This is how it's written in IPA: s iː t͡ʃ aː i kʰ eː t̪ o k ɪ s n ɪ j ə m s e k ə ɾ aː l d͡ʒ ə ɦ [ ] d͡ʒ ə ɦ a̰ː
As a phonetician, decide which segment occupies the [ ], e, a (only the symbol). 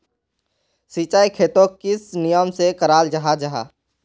a